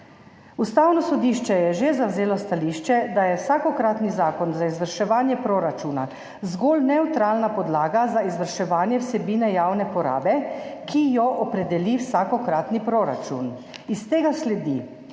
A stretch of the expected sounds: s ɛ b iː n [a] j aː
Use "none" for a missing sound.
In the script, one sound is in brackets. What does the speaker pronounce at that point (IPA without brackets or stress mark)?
ɛ